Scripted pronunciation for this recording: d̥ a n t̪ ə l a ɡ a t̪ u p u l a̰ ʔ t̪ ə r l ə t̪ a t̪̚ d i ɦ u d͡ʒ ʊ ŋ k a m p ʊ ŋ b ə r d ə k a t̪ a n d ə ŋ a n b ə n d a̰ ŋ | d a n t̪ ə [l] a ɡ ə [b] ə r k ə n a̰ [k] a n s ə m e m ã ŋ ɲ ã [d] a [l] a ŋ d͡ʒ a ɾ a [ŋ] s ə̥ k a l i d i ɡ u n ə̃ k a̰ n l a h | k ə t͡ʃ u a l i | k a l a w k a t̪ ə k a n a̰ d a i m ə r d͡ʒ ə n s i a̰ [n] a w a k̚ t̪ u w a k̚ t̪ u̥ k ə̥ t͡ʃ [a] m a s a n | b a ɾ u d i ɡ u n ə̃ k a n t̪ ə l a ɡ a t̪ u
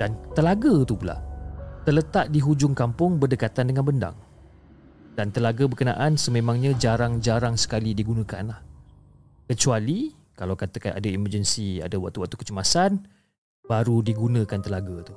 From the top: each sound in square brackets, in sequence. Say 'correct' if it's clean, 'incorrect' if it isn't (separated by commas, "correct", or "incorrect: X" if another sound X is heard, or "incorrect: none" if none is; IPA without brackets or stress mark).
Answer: correct, correct, incorrect: ʔ, incorrect: d͡ʒ, incorrect: ɾ, correct, incorrect: d, incorrect: ə